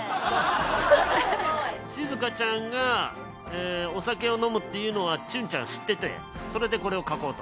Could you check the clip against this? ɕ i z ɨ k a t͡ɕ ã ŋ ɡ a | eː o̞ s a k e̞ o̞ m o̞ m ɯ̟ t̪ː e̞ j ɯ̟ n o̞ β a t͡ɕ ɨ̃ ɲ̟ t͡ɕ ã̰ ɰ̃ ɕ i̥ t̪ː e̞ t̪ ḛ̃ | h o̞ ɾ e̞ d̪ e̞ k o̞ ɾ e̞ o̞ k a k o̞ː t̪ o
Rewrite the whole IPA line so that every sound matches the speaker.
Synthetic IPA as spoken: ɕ i z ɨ k a t͡ɕ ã ŋ ɡ a | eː o̞ s a k e̞ o̞ n o̞ m ɯ̟ t̪ː e̞ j ɯ̟ n o̞ β a t͡ɕ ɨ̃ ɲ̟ t͡ɕ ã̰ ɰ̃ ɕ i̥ t̪ː e̞ t̪ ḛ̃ | s o̞ ɾ e̞ d̪ e̞ k o̞ ɾ e̞ o̞ k a k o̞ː t̪ o

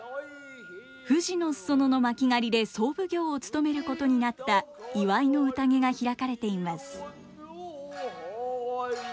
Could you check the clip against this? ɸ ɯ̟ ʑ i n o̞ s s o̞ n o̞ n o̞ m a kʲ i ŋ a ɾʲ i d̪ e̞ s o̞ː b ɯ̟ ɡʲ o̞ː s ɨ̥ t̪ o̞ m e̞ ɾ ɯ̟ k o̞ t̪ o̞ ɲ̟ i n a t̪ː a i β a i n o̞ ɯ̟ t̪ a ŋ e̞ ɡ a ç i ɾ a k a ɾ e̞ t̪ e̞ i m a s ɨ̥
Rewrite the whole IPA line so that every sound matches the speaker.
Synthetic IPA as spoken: ɸ ɯ̟ ʑ i n o̞ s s o̞ n o̞ n o̞ m a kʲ i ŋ a ɾʲ i d̪ e̞ s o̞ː b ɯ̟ ɡʲ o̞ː t͡s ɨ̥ t̪ o̞ m e̞ ɾ ɯ̟ k o̞ t̪ o̞ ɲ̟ i n a t̪ː a i β a i n o̞ ɯ̟ t̪ a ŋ e̞ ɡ a ç i ɾ a k a ɾ e̞ t̪ e̞ i m a s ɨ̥

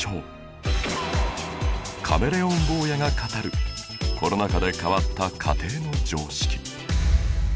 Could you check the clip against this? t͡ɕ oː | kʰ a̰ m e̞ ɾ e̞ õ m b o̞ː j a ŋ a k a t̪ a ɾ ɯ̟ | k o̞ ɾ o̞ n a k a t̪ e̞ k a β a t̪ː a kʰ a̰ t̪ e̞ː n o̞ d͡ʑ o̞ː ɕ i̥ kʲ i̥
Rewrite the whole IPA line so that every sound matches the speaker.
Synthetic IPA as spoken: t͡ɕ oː | kʰ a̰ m e̞ ɾ e̞ õ m b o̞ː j a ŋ a k a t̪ a ɾ ɯ̟ | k o̞ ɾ o̞ n a k a d̪ e̞ k a β a t̪ː a kʰ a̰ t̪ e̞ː n o̞ d͡ʑ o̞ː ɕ i̥ kʲ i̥

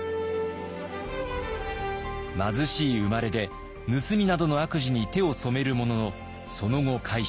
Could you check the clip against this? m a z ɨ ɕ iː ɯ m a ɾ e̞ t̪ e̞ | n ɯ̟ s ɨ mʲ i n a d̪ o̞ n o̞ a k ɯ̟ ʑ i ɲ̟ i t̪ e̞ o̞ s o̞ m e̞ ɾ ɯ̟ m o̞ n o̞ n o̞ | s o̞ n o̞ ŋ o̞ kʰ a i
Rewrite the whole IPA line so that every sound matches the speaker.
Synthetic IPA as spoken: m a z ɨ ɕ iː ɯ m a ɾ e̞ d̪ e̞ | n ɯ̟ s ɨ mʲ i n a d̪ o̞ n o̞ a k ɯ̟ ʑ i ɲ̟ i t̪ e̞ o̞ s o̞ m e̞ ɾ ɯ̟ m o̞ n o̞ n o̞ | s o̞ n o̞ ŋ o̞ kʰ a i

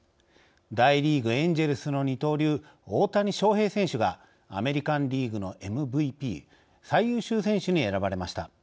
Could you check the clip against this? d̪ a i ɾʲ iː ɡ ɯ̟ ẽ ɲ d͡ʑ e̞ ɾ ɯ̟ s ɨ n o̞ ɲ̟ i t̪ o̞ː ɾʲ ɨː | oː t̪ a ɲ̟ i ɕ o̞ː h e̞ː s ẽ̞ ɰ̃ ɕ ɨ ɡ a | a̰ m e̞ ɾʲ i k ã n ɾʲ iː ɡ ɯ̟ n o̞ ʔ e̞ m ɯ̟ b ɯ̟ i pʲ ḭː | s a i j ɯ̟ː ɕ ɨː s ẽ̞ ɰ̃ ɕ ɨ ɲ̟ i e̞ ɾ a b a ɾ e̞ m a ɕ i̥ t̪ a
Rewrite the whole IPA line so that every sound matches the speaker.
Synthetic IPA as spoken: d̪ a i ɾʲ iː ɡ ɯ̟ ẽ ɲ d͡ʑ e̞ ɾ ɯ̟ s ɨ n o̞ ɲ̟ i t̪ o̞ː ɾʲ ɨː | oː t̪ a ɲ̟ i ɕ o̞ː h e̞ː s ẽ̞ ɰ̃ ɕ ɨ ɡ a | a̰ m e̞ ɾʲ i k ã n ɾʲ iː ɡ ɯ̟ n o̞ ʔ e̞ m ɯ̟ b ɯ̟ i pʲ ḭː | s a i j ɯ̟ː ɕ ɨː s ẽ̞ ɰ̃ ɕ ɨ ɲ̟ i e̞ ɾ a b a ɾ e̞ m a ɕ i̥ t̪ a

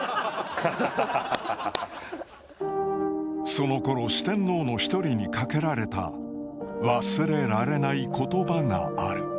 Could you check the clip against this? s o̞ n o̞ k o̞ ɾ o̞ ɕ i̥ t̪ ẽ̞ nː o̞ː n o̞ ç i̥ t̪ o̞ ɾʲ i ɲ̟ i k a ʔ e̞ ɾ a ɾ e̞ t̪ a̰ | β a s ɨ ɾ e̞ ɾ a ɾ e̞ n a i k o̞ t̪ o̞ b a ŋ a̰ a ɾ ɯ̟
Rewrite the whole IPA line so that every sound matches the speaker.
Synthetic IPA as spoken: s o̞ n o̞ k o̞ ɾ o̞ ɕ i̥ t̪ ẽ̞ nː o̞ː n o̞ ç i̥ t̪ o̞ ɾʲ i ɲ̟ i k a k e̞ ɾ a ɾ e̞ t̪ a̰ | β a s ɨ ɾ e̞ ɾ a ɾ e̞ n a i k o̞ t̪ o̞ b a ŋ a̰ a ɾ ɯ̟

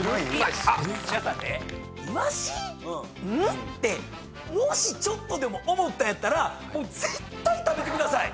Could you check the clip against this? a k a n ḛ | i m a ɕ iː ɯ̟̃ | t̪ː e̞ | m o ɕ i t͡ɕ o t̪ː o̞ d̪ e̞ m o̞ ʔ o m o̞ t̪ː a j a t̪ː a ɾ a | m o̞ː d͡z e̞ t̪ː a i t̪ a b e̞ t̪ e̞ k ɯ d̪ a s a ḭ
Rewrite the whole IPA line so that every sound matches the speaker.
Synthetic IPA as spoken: a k a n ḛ | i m a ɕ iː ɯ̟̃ | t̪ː e̞ | m o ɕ i t͡ɕ o t̪ː o̞ d̪ e̞ m o̞ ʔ o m o̞ t̪ː a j a t̪ː a ɾ a | m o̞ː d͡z e̞ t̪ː a i t̪ a b e̞ t̪ e̞ k ɯ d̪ a s a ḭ

